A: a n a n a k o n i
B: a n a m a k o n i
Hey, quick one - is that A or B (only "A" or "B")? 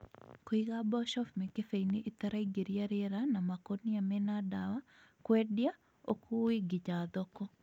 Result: B